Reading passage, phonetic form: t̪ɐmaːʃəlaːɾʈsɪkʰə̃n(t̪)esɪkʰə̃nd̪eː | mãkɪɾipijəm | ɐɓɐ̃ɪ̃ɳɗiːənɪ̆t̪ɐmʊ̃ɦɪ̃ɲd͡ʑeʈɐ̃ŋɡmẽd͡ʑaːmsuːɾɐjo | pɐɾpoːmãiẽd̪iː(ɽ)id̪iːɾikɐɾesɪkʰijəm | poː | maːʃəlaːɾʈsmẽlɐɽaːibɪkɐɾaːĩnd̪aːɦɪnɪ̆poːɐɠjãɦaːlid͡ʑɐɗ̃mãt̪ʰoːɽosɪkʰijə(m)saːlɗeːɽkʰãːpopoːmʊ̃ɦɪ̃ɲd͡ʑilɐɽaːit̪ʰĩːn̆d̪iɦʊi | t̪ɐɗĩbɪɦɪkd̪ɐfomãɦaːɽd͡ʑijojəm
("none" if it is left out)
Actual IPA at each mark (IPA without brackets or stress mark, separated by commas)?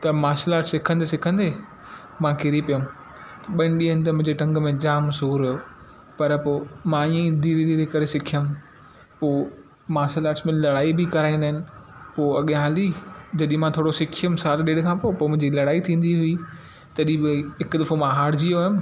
d̪, ɾ, m